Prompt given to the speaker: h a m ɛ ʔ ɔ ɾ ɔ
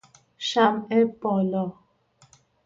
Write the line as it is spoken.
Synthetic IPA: ʃ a m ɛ p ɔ l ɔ